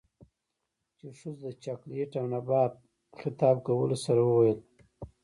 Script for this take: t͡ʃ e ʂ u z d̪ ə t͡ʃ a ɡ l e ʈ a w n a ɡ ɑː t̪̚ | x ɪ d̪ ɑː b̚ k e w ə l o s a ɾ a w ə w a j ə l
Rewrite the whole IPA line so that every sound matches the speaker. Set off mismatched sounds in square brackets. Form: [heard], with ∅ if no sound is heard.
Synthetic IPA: t͡ʃ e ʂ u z d̪ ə t͡ʃ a [k] l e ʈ a w n a [b] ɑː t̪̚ | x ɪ [t̪] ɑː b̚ k [a] w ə l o s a ɾ a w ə w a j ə l